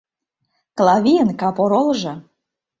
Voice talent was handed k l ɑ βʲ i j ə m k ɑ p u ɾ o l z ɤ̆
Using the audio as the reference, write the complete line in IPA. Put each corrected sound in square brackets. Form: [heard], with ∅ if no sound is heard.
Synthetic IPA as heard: k l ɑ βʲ i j ə [n] k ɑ p [o] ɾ o l [ʒ] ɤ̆